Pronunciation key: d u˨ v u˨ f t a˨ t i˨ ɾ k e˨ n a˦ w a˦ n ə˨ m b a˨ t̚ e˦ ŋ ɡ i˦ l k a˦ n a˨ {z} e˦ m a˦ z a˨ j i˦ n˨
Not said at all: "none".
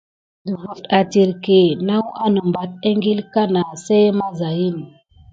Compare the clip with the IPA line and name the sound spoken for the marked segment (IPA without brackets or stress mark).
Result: s